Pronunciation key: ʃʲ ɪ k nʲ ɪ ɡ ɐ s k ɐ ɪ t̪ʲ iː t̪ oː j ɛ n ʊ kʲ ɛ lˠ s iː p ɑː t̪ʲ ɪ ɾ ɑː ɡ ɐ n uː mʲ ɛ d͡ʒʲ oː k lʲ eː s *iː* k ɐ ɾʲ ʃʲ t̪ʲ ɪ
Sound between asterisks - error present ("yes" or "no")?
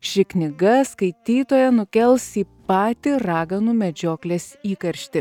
no